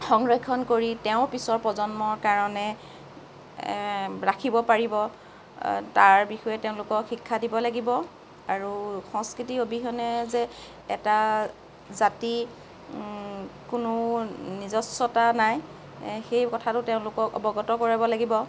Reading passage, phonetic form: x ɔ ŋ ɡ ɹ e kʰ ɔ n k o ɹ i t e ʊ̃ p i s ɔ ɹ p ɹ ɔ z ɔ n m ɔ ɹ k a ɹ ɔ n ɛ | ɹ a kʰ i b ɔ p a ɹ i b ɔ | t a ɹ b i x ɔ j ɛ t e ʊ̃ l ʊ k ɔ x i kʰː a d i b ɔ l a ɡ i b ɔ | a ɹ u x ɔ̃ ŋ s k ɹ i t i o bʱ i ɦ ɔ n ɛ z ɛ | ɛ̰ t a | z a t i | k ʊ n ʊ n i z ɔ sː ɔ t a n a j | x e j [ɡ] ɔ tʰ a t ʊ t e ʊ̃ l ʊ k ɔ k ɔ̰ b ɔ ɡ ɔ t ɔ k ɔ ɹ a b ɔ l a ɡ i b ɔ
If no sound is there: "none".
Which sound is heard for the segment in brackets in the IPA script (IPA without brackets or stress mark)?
k